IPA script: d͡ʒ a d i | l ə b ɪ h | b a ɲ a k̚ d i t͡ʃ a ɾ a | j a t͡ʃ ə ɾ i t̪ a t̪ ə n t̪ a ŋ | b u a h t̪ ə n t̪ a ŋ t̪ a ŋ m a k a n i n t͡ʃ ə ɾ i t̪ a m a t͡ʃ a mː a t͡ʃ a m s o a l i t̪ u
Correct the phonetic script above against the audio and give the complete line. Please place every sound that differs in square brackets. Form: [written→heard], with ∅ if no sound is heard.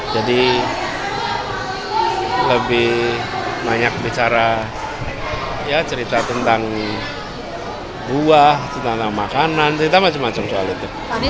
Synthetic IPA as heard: d͡ʒ a d i | l ə b ɪ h | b a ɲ a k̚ [d→b] i t͡ʃ a ɾ a | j a t͡ʃ ə ɾ i t̪ a t̪ ə n t̪ a ŋ | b u a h t̪ ə n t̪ a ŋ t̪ a ŋ m a k a n [i→a] n t͡ʃ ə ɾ i t̪ a m a t͡ʃ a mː a t͡ʃ a m s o a l i t̪ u